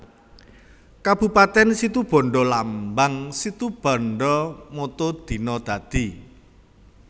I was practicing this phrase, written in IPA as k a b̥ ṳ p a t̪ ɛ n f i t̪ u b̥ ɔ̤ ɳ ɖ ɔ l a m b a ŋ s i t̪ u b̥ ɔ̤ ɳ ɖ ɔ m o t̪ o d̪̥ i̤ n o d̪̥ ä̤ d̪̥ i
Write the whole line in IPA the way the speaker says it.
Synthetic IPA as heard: k a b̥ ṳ p a t̪ ɛ n s i t̪ u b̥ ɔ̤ ɳ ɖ ɔ l a m b a ŋ s i t̪ u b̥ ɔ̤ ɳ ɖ ɔ m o t̪ o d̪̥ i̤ n ɔ d̪̥ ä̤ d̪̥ i